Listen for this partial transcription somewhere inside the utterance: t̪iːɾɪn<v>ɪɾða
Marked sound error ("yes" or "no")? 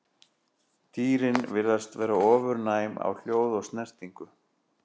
no